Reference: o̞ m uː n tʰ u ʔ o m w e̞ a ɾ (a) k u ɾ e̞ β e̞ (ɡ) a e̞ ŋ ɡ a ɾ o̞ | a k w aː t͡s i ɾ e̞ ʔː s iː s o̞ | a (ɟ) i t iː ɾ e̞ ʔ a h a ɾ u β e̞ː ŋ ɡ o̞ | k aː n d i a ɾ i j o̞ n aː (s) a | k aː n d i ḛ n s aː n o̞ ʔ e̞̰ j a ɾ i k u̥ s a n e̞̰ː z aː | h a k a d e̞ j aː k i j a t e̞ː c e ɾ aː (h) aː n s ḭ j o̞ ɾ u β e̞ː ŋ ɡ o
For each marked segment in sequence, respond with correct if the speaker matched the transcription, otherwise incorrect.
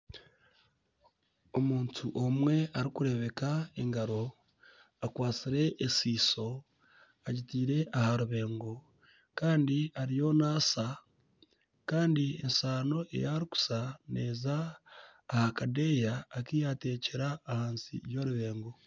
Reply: incorrect: i, incorrect: k, correct, correct, correct

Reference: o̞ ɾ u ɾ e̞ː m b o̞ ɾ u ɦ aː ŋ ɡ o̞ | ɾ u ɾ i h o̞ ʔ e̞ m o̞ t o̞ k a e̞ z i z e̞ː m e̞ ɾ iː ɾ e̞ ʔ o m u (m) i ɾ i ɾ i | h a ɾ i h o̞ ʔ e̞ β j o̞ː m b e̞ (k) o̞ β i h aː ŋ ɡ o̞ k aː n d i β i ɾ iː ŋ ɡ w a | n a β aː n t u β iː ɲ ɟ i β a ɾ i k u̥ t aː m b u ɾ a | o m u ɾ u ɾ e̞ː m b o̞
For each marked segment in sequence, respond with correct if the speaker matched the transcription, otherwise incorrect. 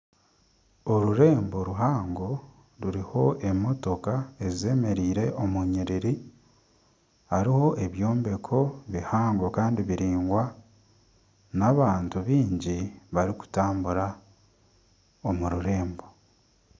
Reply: incorrect: ɲ, incorrect: kʰ

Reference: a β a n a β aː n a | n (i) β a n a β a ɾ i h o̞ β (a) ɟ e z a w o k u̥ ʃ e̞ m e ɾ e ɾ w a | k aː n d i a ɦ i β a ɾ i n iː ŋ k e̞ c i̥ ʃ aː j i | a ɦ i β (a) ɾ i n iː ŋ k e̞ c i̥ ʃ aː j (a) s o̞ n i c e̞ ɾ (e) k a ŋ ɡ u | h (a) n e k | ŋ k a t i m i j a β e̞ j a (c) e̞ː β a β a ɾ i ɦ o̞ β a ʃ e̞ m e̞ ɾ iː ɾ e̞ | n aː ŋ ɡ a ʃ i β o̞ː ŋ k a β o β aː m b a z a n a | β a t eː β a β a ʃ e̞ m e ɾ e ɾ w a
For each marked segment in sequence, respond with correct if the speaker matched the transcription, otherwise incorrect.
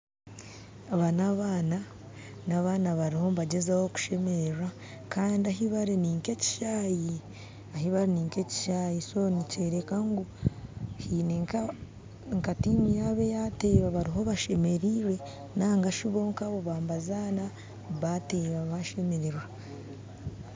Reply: incorrect: a, correct, correct, incorrect: i, correct, incorrect: i, incorrect: t

